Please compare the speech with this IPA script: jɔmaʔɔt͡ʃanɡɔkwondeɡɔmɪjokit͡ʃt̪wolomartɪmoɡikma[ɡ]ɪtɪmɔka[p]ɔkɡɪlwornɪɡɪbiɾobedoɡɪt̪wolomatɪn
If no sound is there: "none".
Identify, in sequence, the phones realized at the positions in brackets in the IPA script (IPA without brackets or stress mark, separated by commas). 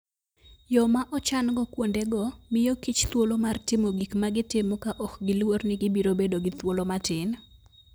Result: ɡ, ʔ